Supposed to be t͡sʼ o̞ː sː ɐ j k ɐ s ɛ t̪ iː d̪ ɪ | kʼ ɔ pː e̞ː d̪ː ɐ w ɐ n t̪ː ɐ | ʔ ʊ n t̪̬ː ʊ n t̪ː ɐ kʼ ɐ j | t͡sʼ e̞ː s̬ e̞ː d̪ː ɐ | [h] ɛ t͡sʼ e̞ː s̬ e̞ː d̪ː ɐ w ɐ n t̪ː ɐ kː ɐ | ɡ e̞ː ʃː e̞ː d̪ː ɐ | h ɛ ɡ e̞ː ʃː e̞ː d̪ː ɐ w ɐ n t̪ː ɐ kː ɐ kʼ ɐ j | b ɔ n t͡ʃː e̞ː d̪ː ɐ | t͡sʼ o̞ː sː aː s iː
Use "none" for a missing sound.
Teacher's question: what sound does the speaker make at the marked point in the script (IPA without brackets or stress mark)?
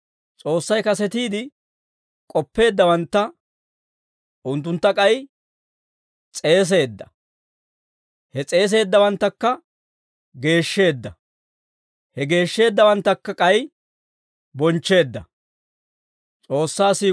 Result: h